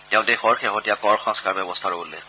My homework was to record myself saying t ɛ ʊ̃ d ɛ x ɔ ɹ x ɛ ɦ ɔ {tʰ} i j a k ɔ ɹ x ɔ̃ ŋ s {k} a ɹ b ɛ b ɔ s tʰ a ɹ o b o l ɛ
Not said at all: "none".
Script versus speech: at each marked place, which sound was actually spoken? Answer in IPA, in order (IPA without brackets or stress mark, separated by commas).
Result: t, k